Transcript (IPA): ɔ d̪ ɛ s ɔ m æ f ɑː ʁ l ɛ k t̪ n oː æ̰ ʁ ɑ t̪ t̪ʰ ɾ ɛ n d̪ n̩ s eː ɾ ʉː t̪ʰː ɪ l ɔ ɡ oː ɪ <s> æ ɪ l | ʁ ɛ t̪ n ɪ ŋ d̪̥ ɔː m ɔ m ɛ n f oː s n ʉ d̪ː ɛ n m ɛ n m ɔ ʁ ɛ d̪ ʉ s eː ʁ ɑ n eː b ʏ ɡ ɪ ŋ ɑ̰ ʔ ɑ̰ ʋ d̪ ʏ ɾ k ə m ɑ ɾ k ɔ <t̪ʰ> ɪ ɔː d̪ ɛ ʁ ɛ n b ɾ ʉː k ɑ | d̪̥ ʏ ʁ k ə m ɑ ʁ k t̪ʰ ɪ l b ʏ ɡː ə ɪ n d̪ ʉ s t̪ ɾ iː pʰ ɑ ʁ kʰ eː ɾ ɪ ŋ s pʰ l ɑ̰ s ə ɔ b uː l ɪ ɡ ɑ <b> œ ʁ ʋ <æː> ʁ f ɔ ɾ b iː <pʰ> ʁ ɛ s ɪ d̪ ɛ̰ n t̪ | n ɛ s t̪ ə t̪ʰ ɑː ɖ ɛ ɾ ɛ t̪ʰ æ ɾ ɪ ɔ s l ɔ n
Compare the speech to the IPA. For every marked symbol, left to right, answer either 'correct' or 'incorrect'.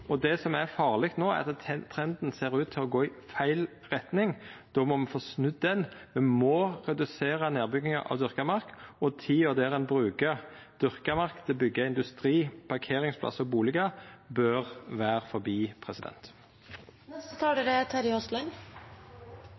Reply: incorrect: f, correct, correct, correct, correct

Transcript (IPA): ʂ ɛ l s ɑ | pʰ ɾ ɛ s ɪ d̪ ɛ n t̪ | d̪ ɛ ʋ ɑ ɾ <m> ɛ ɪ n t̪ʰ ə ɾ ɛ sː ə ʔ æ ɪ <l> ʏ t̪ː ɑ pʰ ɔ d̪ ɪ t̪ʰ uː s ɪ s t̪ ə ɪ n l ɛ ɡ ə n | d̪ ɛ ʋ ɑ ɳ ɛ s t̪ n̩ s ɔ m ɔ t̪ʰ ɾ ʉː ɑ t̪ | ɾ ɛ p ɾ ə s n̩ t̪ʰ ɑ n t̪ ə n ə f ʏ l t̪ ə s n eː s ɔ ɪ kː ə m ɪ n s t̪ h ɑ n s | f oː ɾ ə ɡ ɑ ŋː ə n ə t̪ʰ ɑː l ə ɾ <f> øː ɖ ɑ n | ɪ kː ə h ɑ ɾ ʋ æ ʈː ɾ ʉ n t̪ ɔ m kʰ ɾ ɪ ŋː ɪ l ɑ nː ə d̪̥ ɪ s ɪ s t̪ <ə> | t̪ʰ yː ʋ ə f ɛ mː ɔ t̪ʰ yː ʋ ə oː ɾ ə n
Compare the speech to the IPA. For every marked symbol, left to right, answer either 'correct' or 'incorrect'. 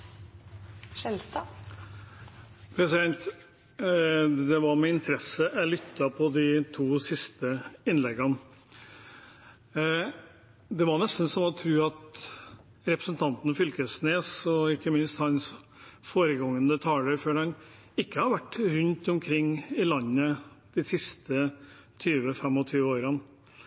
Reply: correct, correct, correct, correct

